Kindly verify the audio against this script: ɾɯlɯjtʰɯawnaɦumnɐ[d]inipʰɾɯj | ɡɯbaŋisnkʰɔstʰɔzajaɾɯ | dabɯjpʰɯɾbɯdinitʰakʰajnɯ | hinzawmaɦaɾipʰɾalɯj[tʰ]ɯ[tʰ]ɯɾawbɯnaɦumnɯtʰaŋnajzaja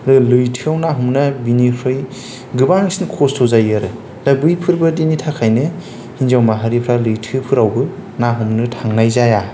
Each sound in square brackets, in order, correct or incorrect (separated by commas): incorrect, correct, incorrect